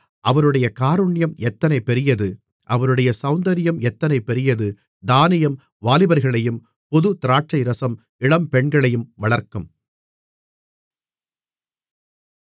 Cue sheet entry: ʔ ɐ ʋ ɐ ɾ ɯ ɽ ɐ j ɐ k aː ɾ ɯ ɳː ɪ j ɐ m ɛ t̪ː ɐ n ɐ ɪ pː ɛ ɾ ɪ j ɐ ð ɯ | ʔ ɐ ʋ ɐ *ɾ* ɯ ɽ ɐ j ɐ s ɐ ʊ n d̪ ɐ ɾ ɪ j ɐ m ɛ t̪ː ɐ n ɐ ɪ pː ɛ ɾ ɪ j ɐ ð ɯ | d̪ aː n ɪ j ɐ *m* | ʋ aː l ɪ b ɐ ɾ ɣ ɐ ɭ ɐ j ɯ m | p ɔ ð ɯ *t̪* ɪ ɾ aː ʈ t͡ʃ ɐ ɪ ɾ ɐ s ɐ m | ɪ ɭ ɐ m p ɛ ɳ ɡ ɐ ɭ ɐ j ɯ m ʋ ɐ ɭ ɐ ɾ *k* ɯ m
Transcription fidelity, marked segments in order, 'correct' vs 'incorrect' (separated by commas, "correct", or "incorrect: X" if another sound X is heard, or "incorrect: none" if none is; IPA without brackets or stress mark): correct, correct, correct, correct